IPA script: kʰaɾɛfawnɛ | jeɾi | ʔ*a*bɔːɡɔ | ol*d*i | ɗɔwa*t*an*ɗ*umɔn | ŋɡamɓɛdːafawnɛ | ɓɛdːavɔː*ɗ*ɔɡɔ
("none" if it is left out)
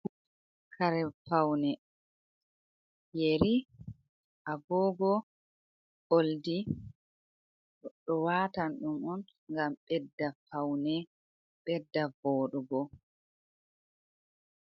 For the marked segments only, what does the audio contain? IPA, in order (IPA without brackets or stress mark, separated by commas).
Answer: a, d, t, ɗ, ɗ